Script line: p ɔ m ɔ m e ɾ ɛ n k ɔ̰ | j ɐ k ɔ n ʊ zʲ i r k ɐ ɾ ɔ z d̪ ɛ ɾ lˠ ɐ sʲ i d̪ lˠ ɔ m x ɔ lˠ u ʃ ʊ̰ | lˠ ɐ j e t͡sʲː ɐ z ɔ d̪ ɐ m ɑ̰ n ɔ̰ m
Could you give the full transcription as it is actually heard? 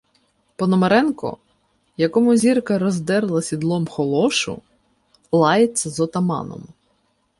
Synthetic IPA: p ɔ n ɔ m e ɾ ɛ n k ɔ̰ | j ɐ k ɔ m ʊ zʲ i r k ɐ ɾ ɔ z d̪ ɛ ɾ lˠ ɐ sʲ i d̪ lˠ ɔ m x ɔ lˠ ɔ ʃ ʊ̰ | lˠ ɑ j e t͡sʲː ɐ z ɔ t̪ ɐ m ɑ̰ n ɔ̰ m